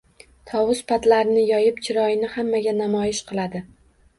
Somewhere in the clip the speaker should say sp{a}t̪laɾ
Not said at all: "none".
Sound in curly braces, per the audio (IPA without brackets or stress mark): a